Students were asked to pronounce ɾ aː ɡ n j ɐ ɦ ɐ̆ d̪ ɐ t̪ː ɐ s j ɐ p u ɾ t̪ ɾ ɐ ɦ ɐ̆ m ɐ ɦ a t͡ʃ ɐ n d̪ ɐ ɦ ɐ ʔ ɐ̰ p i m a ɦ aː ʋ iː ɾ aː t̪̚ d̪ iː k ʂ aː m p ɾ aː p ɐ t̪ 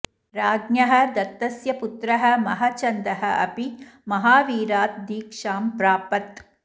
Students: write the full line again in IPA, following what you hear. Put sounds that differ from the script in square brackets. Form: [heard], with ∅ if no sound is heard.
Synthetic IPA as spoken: ɾ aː ɡ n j ɐ ɦ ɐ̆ d̪ ɐ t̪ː ɐ s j ɐ p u [∅] t̪ ɾ ɐ ɦ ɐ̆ m ɐ ɦ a t͡ʃ ɐ n d̪ ɐ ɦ ɐ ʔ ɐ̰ p i m [ɐ] ɦ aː ʋ iː ɾ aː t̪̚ d̪ iː k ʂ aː m p ɾ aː p ɐ t̪